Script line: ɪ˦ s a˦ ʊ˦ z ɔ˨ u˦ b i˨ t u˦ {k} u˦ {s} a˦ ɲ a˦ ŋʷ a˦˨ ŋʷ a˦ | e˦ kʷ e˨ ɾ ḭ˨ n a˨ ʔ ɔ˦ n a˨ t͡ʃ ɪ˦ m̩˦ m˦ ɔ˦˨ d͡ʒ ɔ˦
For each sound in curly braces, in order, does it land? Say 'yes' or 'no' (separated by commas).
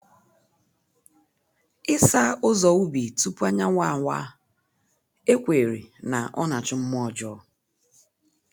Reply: no, no